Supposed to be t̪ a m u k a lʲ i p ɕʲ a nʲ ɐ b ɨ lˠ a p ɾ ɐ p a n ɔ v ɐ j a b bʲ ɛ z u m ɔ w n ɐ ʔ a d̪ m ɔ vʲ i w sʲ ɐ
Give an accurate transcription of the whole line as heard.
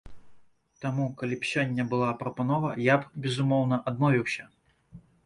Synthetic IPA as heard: t̪ a m u k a lʲ i p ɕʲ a nʲː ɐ b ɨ lˠ a p ɾ ɐ p a n ɔ v ɐ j a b bʲ ɛ z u m ɔ w n ɐ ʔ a d̪ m ɔ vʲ i w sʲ ɐ